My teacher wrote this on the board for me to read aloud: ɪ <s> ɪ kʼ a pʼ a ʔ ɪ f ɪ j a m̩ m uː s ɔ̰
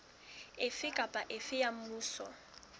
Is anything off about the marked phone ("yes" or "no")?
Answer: yes